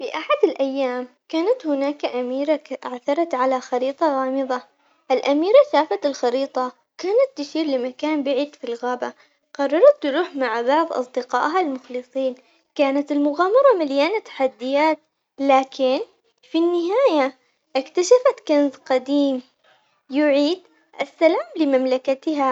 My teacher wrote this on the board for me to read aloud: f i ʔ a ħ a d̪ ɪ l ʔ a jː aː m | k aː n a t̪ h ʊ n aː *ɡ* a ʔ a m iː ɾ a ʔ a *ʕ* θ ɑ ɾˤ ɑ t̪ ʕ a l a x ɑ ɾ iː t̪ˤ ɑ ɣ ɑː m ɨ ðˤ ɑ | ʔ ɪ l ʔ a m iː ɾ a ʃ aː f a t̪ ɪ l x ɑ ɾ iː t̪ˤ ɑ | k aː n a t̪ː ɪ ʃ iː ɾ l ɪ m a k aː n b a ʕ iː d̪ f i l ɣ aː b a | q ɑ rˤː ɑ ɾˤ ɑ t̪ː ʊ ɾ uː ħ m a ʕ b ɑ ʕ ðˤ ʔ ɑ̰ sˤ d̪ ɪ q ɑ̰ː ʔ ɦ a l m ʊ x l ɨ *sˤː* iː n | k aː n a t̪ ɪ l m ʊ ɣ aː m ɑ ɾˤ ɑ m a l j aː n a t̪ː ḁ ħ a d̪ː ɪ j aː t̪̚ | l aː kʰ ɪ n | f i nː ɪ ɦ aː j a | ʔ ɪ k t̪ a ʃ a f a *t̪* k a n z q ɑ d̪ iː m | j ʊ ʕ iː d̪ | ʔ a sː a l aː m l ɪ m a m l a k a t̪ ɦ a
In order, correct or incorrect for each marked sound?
incorrect, correct, incorrect, correct

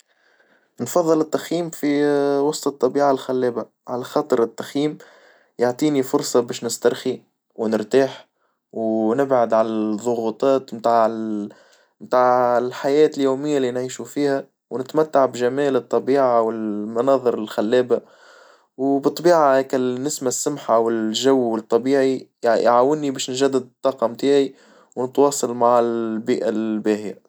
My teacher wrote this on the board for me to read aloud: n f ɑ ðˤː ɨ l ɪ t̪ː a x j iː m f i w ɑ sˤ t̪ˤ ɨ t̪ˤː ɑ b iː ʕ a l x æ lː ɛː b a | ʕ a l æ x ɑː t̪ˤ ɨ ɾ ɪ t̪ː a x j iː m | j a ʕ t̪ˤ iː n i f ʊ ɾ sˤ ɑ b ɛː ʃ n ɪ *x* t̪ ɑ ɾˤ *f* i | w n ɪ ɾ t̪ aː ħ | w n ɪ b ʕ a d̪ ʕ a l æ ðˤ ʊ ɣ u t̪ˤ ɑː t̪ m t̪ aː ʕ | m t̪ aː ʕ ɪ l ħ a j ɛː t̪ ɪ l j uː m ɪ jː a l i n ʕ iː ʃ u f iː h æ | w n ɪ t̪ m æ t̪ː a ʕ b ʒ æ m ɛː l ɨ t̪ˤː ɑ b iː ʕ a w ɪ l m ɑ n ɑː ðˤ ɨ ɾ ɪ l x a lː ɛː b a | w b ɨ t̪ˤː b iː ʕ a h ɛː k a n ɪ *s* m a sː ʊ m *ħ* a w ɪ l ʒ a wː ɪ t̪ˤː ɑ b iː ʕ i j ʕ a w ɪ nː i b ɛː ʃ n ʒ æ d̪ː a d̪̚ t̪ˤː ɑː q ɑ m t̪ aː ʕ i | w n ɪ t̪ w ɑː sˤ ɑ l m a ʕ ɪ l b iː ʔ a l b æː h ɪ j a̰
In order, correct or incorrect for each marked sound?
incorrect, incorrect, correct, correct

